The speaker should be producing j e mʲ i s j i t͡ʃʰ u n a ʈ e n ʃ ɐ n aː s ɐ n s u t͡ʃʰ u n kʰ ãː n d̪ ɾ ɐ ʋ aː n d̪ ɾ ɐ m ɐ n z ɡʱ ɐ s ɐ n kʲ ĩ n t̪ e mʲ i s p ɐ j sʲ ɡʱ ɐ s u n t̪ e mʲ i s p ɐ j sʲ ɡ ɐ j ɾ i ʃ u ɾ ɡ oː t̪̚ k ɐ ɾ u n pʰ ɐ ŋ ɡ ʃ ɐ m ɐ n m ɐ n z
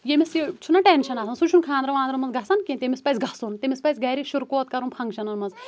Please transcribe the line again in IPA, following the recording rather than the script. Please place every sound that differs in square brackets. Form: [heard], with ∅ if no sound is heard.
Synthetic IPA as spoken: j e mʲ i s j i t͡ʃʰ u n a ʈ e n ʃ ɐ n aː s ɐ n s u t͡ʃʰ u n kʰ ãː n d̪ ɾ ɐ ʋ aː n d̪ ɾ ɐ m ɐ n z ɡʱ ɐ s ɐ n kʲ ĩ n t̪ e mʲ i s p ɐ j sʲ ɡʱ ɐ s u n t̪ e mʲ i s p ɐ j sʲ ɡ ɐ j ɾ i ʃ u ɾ [k] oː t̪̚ k ɐ ɾ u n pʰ ɐ ŋ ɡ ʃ ɐ [n] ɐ n m ɐ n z

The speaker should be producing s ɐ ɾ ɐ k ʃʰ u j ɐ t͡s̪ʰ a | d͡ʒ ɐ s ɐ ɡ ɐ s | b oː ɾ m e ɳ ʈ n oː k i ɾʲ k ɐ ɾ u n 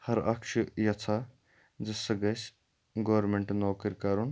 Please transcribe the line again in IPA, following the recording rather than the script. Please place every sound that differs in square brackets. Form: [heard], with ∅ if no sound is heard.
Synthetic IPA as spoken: [h] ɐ ɾ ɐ k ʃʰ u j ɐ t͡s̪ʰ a | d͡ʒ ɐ s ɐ ɡ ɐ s | [ɡ] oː ɾ m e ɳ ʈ n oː k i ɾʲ k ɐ ɾ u n

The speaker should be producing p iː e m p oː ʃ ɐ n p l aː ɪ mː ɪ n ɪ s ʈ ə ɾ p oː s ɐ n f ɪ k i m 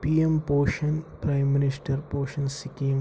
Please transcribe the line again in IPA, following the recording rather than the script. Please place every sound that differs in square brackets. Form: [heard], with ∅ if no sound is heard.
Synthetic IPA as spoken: p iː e m p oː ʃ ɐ n p [ɾ] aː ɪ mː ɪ n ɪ s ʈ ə ɾ p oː [ʃ] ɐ n [s] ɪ k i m

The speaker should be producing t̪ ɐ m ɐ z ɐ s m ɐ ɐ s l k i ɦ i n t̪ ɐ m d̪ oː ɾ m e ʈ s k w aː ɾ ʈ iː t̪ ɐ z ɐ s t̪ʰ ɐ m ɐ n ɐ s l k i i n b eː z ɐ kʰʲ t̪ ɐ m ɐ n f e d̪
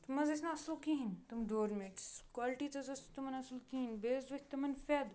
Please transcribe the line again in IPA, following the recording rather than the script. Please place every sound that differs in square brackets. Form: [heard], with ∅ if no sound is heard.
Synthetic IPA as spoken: t̪ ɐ m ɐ z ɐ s [n] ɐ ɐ s l k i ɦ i n t̪ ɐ m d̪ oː ɾ m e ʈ s k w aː [l] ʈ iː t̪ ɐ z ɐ s [t̪] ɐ m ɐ n ɐ s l k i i n b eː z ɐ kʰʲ t̪ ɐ m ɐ n f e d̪

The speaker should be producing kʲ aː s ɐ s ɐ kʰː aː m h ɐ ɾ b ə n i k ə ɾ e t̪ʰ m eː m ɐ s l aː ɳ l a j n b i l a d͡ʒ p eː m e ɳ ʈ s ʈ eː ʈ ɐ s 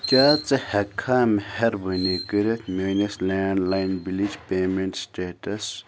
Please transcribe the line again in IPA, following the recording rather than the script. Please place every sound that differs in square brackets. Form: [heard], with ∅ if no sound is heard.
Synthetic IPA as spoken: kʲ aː [t͡s] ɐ [h] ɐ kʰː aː m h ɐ ɾ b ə n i k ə ɾ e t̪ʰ m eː [n] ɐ s l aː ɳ l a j n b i l [i] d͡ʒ p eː m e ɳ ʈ s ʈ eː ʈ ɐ s

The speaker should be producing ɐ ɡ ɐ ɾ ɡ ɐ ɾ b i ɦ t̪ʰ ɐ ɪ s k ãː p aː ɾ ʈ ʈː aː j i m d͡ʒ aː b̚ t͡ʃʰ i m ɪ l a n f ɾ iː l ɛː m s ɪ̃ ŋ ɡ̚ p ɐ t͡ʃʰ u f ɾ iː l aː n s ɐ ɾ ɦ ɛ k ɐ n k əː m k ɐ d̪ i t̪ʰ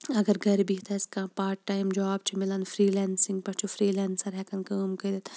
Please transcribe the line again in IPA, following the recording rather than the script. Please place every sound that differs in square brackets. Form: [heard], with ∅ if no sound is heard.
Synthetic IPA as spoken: ɐ ɡ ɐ ɾ ɡ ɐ ɾ b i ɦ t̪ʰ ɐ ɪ s k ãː p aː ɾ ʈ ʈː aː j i m d͡ʒ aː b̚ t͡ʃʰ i m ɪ l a n f ɾ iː l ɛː [n] s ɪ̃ ŋ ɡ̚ p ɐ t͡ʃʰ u f ɾ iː l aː n s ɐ ɾ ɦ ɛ k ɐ n k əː m k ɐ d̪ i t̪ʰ

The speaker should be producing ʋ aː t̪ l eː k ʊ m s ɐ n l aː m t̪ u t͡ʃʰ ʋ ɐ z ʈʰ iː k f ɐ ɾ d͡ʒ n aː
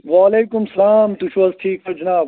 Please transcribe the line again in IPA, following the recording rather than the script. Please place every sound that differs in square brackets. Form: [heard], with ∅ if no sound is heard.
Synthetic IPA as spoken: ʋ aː [∅] l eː k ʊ m s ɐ [∅] l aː m t̪ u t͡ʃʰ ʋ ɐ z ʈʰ iː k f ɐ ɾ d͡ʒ n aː

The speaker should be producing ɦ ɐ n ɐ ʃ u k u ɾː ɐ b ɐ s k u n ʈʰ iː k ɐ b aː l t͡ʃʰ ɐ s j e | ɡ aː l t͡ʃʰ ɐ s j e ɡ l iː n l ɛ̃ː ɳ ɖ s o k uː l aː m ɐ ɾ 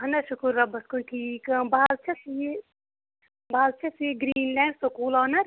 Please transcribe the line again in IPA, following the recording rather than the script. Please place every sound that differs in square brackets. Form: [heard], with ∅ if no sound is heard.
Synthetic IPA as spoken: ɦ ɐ n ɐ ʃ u k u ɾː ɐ b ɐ s k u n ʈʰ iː k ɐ b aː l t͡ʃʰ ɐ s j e | [b] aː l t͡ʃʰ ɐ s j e ɡ [ɾ] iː n l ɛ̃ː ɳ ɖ s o k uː l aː [n] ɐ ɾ

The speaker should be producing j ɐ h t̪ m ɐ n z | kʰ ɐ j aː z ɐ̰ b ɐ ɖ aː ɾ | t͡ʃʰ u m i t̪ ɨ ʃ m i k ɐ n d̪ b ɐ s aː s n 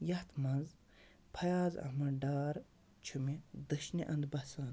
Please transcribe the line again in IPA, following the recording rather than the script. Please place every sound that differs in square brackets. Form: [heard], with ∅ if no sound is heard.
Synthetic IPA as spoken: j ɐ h t̪ m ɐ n z | [pʰ] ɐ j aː z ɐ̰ [m] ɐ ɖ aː ɾ | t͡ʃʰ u m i [d̪] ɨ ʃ [n] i [ʔ] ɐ n d̪ b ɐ s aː [∅] n

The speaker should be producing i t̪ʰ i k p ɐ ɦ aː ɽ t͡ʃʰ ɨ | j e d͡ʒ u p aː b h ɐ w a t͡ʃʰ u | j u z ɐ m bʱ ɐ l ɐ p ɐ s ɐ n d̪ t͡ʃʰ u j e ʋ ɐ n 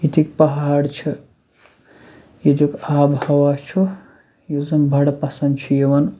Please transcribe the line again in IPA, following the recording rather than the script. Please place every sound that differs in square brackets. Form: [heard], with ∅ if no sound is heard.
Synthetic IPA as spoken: i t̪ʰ i k p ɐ ɦ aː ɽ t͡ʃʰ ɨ | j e d͡ʒ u [k] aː b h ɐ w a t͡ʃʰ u | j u z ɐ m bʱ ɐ [ɽ] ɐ p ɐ s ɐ n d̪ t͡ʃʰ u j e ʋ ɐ n

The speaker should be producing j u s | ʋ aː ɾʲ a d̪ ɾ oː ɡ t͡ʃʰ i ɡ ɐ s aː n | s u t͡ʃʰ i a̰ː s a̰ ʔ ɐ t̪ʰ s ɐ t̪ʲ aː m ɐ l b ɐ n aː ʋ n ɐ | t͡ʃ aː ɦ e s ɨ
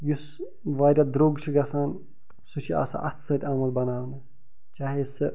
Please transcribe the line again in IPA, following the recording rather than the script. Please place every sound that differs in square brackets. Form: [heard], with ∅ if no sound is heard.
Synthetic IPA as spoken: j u s | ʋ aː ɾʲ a d̪ ɾ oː ɡ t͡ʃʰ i ɡ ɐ s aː n | s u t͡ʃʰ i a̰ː s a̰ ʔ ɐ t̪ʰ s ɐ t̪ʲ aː m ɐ l b ɐ n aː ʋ n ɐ | t͡ʃ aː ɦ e s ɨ

